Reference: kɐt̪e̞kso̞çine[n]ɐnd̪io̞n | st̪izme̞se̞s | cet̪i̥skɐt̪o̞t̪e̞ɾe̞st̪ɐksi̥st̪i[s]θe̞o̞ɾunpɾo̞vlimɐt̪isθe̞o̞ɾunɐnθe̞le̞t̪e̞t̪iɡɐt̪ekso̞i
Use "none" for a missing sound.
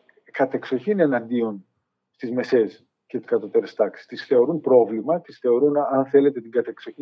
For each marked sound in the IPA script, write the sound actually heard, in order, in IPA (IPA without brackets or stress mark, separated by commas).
n, s